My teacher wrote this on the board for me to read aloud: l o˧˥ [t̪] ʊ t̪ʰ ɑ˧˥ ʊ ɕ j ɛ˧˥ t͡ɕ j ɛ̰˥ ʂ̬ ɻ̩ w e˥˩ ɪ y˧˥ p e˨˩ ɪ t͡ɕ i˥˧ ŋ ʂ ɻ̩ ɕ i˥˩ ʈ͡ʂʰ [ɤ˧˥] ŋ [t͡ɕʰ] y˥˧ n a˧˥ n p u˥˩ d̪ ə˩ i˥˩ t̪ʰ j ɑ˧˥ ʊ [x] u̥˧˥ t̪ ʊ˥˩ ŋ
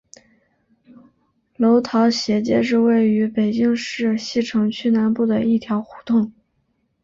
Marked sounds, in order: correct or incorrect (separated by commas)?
incorrect, correct, correct, correct